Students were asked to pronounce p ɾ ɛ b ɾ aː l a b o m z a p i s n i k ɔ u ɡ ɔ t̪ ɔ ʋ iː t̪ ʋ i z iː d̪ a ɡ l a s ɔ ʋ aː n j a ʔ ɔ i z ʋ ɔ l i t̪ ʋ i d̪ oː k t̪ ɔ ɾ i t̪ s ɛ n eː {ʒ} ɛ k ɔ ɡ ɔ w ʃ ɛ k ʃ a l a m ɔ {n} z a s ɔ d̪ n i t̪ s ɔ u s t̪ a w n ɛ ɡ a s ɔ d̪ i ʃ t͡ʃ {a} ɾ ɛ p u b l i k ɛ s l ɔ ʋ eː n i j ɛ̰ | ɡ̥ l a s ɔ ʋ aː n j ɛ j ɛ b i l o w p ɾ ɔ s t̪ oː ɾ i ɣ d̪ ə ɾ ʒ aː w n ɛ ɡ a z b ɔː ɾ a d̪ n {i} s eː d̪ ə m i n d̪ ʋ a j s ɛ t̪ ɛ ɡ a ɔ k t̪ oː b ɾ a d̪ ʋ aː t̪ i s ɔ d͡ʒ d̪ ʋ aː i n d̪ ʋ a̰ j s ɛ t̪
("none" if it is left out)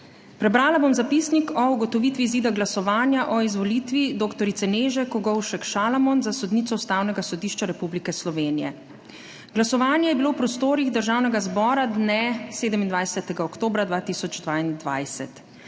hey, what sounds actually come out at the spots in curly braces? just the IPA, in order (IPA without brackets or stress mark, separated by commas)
ʒ, n, a, ɛ